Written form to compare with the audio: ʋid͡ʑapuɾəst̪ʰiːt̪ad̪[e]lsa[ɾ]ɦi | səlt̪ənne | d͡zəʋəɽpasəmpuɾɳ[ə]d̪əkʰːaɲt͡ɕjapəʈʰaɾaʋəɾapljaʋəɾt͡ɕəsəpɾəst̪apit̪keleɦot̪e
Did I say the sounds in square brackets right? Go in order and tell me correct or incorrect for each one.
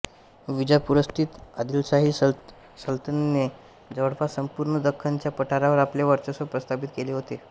incorrect, incorrect, correct

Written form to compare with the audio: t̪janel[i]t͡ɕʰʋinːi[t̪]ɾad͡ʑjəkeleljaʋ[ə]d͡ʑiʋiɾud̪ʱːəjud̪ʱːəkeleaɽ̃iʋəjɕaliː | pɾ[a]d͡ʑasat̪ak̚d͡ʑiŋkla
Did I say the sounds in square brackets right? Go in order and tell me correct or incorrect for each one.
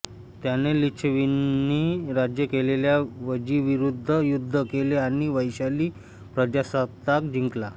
correct, incorrect, correct, incorrect

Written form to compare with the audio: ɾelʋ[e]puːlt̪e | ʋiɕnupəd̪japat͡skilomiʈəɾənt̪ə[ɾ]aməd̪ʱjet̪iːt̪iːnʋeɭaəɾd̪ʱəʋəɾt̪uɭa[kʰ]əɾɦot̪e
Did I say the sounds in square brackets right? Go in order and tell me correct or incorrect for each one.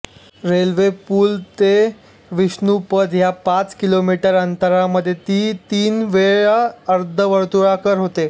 correct, correct, incorrect

